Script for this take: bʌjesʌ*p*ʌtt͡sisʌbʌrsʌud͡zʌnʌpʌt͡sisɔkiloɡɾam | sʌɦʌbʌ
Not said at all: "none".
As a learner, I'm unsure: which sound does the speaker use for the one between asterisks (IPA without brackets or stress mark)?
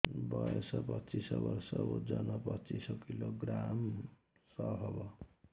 p